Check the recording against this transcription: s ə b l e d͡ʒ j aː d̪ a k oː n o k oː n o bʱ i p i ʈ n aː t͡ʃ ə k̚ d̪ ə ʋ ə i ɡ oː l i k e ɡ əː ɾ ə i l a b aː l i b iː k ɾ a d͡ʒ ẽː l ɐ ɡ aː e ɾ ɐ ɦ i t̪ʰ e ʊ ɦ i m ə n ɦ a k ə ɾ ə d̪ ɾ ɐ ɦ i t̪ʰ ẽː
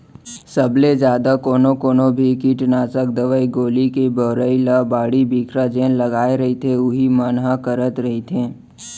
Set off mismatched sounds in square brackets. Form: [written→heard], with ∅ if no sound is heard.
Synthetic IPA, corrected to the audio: s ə b l e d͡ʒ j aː d̪ a k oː n o k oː n o bʱ i [p→k] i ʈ n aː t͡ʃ ə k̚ d̪ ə ʋ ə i ɡ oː l i k e [ɡ→b] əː ɾ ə i l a b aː [l→ɽ] i b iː k ɾ a d͡ʒ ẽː l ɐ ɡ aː e ɾ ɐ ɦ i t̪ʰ e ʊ ɦ i m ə n ɦ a k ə ɾ ə [d̪→t̪] ɾ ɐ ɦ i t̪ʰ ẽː